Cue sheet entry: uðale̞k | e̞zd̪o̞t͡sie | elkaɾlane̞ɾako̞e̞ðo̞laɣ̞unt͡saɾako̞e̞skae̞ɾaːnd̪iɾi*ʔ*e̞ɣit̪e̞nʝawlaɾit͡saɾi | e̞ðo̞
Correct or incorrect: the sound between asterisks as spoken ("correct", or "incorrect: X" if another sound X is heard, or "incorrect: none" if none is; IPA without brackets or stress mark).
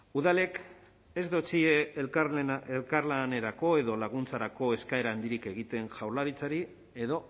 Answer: incorrect: k